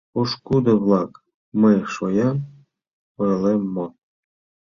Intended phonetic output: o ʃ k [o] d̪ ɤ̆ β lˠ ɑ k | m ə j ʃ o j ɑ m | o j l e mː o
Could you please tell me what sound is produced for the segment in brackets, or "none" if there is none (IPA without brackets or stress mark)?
u